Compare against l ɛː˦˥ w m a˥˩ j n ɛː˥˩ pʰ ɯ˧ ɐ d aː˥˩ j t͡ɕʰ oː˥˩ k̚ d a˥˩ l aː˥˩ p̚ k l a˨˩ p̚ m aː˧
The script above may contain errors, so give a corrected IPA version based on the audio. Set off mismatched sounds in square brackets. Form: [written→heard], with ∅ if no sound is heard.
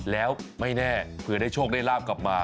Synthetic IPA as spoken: l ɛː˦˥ w m a˥˩ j n ɛː˥˩ pʰ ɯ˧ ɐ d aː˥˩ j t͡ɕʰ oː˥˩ k̚ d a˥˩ l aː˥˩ p̚ k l a˨˩ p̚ m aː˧